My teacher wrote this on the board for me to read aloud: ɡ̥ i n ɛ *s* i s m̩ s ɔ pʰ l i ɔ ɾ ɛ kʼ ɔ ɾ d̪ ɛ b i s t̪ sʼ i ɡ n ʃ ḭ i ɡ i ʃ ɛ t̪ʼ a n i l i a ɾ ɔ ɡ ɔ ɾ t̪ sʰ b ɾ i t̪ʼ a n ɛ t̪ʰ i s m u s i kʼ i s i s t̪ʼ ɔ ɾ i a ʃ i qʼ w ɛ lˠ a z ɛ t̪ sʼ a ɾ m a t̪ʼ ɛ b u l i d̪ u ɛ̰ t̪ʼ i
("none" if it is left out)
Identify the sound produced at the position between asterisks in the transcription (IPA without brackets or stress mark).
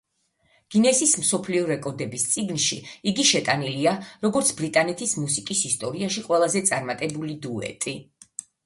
s